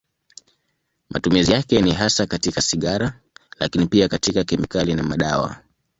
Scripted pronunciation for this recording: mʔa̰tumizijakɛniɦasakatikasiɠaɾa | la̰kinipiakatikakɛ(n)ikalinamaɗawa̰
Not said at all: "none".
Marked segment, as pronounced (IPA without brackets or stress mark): m